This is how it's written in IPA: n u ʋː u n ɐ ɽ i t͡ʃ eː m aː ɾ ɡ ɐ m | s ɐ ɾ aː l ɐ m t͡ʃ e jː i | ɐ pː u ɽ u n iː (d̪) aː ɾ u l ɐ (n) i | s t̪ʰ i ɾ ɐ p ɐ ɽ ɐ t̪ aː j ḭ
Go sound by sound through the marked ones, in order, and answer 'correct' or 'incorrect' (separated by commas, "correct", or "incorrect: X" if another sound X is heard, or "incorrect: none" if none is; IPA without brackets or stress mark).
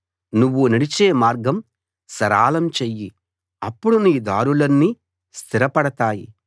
correct, incorrect: nː